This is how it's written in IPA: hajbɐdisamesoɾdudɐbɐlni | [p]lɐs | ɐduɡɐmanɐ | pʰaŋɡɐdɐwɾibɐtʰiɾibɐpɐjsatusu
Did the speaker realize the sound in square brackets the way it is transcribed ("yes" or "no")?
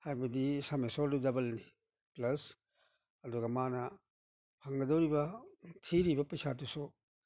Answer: yes